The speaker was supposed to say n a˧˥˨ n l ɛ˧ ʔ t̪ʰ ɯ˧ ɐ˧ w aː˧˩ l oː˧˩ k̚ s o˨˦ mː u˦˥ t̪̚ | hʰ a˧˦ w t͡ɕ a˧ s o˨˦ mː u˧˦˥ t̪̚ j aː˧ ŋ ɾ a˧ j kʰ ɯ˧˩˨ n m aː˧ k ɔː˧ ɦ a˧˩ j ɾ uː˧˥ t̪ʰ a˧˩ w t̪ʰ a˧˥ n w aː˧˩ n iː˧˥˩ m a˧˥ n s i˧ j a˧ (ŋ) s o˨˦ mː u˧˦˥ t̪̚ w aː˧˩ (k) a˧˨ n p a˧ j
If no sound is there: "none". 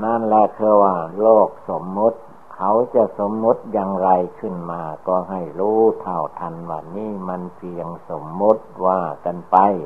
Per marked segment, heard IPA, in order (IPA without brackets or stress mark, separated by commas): ŋ, k